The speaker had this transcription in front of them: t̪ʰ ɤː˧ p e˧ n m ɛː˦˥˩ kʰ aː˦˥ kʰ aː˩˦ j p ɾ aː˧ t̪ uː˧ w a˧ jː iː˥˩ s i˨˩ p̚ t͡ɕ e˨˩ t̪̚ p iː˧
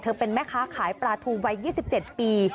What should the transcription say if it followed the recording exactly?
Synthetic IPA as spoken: t̪ʰ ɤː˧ p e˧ n m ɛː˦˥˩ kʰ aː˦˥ kʰ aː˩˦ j p ɾ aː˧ t̪ʰ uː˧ w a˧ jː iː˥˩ s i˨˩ p̚ t͡ɕ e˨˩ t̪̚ p iː˧